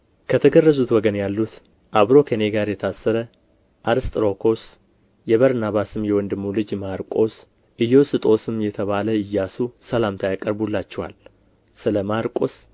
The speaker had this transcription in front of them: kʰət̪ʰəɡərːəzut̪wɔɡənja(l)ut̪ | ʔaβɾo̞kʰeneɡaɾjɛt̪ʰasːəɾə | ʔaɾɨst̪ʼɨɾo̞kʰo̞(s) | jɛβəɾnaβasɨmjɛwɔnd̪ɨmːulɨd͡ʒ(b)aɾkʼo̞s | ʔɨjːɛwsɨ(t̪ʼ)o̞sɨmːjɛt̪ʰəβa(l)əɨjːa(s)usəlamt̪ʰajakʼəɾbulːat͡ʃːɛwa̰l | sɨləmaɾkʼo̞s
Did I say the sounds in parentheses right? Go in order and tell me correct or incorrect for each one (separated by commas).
incorrect, correct, incorrect, correct, correct, correct